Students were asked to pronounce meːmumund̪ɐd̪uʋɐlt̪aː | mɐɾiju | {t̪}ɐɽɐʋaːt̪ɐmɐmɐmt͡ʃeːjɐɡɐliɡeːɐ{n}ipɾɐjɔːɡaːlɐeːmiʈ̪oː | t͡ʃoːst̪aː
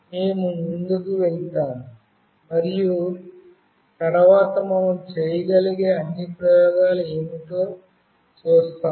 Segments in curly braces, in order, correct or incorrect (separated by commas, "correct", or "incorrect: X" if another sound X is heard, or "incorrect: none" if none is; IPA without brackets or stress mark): correct, incorrect: nː